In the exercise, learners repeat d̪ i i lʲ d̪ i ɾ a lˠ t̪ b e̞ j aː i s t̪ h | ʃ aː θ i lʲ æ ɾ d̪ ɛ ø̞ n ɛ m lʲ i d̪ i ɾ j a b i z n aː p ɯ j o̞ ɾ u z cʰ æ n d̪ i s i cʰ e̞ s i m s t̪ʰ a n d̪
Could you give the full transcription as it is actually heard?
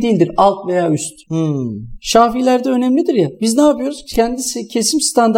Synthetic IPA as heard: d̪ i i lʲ d̪ i ɾ a lˠ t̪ v e̞ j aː y s t̪ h | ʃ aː f i lʲ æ ɾ d̪ ɛ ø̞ n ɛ m lʲ i d̪ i ɾ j a b i z n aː p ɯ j o̞ ɾ u z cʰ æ n d̪ i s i cʰ e̞ s i m s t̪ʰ a n d̪